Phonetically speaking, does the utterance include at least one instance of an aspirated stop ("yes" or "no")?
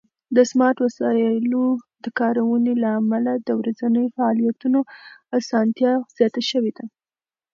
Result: no